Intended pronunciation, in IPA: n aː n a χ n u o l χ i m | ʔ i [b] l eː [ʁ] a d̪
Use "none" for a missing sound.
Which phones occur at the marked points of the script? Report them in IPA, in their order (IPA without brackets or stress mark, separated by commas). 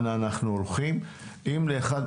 m, χ